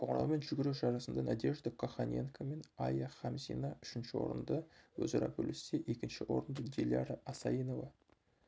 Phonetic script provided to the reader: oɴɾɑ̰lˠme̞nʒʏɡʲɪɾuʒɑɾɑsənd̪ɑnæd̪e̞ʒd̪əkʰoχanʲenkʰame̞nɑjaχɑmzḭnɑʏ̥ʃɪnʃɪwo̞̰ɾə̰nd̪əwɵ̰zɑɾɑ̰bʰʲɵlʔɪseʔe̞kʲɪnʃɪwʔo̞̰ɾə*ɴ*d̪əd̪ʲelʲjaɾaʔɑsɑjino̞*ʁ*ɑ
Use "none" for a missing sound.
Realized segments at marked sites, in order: n, v

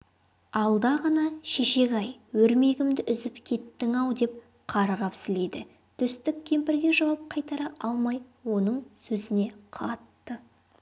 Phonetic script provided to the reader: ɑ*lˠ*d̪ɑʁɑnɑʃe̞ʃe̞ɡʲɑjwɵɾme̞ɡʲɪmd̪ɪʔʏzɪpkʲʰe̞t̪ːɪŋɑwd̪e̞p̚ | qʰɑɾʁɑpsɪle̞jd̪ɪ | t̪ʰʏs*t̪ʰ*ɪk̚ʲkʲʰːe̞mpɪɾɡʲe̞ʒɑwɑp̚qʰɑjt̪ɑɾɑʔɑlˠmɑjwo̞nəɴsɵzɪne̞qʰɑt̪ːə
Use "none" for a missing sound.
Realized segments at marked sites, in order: lˠ, t̪

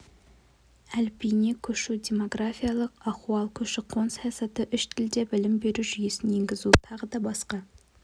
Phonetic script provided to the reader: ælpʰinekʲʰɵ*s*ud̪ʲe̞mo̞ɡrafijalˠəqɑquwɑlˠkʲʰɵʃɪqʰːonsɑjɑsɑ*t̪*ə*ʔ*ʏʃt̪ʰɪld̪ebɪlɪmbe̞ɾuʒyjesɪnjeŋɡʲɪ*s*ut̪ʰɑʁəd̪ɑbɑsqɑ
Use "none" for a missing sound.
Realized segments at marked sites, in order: ʃ, t̪, ʔ, z

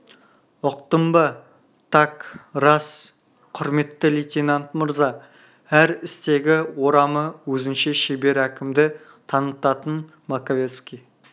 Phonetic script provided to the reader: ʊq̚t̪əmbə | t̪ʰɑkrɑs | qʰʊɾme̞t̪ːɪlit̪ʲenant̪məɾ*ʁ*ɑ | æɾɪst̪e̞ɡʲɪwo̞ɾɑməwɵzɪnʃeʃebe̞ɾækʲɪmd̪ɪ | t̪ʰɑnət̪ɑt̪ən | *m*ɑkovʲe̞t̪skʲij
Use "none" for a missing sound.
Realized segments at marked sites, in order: z, m

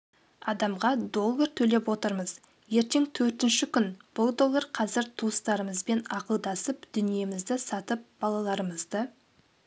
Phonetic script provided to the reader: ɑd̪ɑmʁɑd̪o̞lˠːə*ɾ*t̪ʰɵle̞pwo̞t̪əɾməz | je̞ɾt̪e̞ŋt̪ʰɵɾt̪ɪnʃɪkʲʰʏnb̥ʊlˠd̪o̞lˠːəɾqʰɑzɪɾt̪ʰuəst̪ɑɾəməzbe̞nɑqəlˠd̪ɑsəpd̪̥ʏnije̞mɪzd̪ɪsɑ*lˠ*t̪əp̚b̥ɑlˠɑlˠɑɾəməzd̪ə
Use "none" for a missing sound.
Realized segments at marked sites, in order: ɾ, none

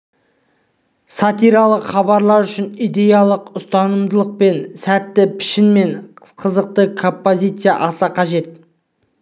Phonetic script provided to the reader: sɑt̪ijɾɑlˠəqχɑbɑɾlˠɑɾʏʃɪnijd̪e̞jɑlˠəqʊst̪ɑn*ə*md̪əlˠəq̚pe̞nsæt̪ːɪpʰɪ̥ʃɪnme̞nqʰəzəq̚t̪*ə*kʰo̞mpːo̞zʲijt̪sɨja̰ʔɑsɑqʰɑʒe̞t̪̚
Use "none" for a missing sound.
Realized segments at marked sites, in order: ə, ə

